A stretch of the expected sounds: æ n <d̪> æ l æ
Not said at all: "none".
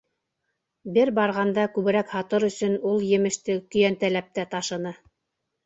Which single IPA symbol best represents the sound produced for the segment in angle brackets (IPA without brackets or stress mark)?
t̪